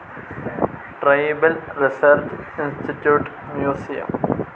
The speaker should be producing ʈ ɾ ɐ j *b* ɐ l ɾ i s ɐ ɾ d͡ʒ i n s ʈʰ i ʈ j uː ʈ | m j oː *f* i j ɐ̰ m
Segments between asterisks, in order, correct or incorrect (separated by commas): correct, incorrect